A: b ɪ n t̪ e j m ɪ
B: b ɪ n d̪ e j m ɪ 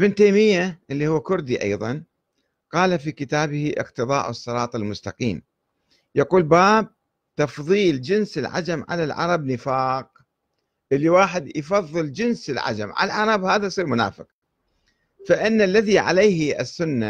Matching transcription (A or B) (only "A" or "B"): A